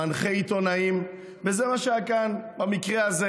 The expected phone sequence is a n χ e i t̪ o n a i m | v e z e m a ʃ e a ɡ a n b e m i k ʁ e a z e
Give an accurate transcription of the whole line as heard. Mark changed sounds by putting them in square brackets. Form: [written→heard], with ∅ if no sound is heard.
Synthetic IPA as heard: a n χ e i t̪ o n a i m | v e z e m a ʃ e a [ɡ→k] a n b [e→a] m i k ʁ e a z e